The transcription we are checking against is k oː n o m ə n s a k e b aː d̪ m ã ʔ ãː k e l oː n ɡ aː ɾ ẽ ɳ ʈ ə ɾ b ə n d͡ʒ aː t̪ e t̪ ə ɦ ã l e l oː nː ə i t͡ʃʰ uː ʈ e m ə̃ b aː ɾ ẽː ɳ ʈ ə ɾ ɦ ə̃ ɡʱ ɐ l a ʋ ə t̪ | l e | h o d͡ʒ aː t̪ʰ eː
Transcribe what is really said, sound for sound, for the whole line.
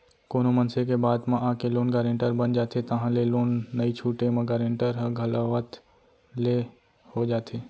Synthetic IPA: k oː n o m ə n s e k e b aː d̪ m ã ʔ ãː k e l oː n ɡ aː ɾ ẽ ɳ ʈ ə ɾ b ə n d͡ʒ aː t̪ e t̪ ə ɦ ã l e l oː nː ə i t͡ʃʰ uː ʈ e m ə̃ ɡ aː ɾ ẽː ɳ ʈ ə ɾ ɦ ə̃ ɡʱ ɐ l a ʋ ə t̪ | l e | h o d͡ʒ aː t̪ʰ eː